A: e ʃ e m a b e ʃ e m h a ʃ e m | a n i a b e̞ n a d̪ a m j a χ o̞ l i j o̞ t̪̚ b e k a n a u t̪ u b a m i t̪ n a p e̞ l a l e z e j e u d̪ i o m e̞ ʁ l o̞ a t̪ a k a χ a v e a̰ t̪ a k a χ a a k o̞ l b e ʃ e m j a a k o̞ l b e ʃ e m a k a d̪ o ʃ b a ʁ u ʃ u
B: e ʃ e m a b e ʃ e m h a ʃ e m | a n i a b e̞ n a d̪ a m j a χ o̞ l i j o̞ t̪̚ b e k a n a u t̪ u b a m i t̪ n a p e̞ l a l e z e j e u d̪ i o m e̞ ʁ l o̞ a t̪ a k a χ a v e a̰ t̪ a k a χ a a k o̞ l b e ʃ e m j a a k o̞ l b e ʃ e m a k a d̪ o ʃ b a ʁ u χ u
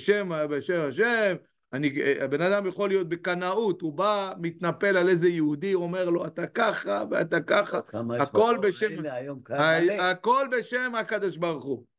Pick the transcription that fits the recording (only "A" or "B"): B